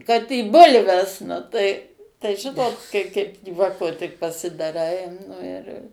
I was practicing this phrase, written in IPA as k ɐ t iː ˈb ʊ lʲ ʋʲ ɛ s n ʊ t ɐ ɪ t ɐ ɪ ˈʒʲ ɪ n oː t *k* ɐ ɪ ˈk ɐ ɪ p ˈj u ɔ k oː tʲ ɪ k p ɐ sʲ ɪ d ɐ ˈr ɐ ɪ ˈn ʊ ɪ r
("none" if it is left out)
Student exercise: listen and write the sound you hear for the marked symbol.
k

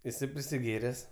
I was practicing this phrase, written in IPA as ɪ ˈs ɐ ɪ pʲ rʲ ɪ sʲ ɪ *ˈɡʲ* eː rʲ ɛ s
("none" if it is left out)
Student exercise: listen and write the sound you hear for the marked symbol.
ɡʲ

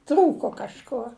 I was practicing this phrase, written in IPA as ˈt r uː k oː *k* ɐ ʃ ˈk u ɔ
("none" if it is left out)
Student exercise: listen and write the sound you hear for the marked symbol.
k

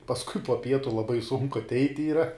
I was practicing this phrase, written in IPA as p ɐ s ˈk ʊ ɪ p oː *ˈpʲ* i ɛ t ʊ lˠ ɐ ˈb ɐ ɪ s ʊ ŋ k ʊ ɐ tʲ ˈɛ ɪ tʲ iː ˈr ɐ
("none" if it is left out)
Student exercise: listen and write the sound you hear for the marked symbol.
pʲ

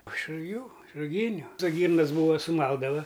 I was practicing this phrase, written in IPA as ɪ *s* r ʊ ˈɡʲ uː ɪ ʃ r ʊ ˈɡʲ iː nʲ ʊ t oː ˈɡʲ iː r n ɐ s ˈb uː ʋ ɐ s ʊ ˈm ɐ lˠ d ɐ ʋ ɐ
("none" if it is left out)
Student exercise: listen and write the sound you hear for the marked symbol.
ʃ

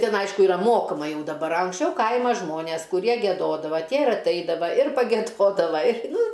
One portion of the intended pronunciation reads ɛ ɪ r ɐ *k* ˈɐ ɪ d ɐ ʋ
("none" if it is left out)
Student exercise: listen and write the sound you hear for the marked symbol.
t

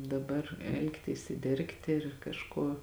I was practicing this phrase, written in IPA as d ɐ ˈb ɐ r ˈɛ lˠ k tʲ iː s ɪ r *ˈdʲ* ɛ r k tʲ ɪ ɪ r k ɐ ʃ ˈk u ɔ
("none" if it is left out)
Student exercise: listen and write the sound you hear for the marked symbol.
dʲ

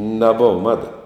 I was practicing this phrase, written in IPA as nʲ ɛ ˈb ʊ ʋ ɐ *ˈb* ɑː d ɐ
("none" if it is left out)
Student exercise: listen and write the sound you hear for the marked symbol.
m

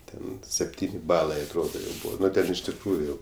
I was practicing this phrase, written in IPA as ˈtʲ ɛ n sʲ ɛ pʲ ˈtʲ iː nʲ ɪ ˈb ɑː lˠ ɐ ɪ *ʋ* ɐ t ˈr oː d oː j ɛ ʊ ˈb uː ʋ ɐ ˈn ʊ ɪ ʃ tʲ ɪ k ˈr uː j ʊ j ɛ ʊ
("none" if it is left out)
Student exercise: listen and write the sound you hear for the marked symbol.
none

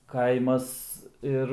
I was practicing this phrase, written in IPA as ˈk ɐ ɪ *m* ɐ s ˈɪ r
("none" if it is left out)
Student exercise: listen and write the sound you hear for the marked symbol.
m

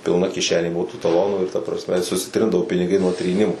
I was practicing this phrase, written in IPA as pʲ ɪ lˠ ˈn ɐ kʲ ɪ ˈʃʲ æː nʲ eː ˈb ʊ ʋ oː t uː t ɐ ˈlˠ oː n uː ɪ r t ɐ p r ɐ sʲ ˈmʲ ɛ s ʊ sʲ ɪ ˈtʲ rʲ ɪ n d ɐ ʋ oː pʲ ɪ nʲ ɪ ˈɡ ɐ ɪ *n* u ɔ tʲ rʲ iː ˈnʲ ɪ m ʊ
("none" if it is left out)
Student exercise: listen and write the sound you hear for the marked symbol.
n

